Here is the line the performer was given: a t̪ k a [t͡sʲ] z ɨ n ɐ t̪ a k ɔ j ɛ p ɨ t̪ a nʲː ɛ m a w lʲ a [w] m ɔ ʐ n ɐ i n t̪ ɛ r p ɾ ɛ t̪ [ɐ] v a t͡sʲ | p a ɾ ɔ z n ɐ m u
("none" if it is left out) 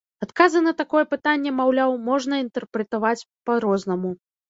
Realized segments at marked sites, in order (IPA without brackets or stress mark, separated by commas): none, w, a